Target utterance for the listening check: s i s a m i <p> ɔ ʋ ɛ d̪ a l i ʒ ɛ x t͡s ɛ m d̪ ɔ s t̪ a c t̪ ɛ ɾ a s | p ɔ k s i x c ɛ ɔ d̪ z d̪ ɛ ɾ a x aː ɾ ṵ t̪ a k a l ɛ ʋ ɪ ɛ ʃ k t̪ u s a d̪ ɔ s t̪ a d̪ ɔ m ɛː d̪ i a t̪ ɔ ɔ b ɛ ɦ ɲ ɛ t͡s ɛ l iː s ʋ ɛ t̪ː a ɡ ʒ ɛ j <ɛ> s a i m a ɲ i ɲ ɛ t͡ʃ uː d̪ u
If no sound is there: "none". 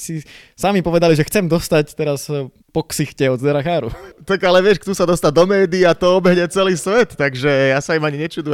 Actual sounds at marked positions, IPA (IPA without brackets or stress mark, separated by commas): p, a